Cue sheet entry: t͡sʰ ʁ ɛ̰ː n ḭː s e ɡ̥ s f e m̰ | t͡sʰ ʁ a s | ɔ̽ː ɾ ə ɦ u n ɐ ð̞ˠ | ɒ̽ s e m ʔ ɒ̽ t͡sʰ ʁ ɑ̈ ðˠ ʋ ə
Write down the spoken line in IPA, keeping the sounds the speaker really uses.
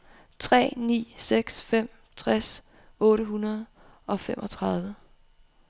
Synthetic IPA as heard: t͡sʰ ʁ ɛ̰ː n ḭː s e ɡ̥ s f e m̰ | t͡sʰ ʁ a s | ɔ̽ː ɾ ə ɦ u n ɐ ð̞ˠ | ɒ̽ f e m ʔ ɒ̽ t͡sʰ ʁ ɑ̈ ðˠ ʋ ə

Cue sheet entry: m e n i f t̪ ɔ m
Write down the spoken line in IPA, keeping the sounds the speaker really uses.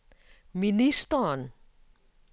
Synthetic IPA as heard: m i n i s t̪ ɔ n

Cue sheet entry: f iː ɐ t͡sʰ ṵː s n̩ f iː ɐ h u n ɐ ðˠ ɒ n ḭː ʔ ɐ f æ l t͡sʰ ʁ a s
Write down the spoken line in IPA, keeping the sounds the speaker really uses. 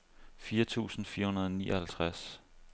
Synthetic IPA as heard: f iː ɐ t͡sʰ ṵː s n̩ f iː ɐ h u n ɐ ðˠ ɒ n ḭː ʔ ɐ h æ l t͡sʰ ʁ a s

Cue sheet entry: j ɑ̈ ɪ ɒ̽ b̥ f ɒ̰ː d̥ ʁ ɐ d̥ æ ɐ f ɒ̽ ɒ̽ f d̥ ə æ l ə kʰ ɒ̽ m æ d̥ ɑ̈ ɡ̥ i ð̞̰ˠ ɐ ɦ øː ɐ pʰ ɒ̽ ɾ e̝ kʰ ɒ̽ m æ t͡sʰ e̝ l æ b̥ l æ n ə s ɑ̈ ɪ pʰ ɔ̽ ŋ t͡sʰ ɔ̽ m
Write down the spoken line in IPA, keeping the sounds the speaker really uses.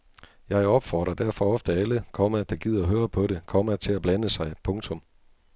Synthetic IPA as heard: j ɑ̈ ɪ ɒ̽ b̥ f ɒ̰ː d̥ ʁ ɐ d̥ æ ɐ f ɒ̽ ɒ̽ f d̥ ə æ l ə kʰ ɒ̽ m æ d̥ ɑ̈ ɡ̥ i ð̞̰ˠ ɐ ɦ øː ɐ pʰ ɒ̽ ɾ e̝ kʰ ɒ̽ m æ t͡sʰ e̝ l æ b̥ l æ n ə s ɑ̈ ɪ pʰ ɔ̽ ŋ t͡sʰ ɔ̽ m

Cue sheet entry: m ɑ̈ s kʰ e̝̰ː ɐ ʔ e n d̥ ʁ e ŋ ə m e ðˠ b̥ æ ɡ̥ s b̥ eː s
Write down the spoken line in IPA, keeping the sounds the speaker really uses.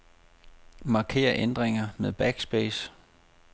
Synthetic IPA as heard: m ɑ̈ kʰ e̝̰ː ɐ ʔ e n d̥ ʁ e ŋ ɐ m e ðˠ b̥ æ ɡ̥ s b̥ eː s

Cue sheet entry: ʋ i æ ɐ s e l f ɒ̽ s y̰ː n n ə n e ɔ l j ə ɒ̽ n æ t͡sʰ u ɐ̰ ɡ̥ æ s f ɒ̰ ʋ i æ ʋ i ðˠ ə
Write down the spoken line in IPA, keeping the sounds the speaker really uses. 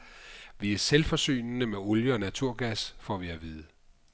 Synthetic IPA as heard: ʋ i æ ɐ s e l f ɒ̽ s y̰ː n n ə m e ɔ l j ə ɒ̽ n æ t͡sʰ u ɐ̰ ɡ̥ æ s f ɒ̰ ʋ i æ ʋ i ðˠ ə

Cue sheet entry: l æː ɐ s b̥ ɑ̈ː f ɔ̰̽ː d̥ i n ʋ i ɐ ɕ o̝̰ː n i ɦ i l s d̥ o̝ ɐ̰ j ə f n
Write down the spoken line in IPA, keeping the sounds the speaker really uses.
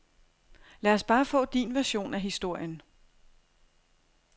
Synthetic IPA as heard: l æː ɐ s b̥ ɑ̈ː f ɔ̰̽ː d̥ i n ʋ æ ɐ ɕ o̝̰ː n æ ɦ i s d̥ o̝ ɐ̰ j ə n

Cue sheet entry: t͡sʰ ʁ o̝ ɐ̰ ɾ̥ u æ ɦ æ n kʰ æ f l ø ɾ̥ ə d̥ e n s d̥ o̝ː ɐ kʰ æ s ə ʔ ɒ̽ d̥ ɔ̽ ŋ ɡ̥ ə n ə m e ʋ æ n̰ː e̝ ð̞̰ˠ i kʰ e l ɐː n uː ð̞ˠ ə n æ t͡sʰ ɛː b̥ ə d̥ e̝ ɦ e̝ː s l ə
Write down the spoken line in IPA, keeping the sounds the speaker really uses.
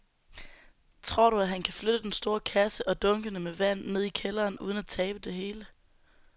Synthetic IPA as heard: t͡sʰ ʁ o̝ ɐ̰ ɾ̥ u æ ɦ æ n kʰ æ f l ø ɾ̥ ə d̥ e n s d̥ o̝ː ɐ kʰ æ s ə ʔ ɒ̽ d̥ ɔ̽ ŋ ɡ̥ ə n ə m e ʋ æ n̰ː e̝ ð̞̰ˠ i kʰ e l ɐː n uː ð̞ˠ ə n æ t͡sʰ ɛː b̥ ə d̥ e̝ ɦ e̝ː l ə

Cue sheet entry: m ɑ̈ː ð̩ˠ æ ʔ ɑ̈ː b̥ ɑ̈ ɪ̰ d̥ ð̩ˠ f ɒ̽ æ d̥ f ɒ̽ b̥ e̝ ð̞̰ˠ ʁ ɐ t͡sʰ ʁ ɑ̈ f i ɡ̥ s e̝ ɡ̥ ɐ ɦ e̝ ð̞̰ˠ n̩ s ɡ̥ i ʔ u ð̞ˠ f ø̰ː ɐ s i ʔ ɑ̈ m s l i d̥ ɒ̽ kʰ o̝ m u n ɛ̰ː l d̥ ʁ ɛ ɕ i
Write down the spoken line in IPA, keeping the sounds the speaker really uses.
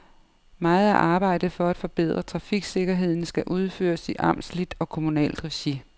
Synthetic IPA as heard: m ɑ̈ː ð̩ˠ æ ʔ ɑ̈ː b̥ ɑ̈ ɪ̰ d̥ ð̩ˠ f ɒ̽ æ d̥ f ɒ̽ b̥ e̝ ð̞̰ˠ ʁ ɐ t͡sʰ ʁ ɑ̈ f i ɡ̥ s e̝ ɡ̥ ɐ ɦ e̝ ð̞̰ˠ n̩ s ɡ̥ æ ʔ u ð̞ˠ f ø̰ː ɐ s i ʔ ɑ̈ m s l i d̥ ɒ̽ kʰ o̝ m u n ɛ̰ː l d̥ ʁ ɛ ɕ i

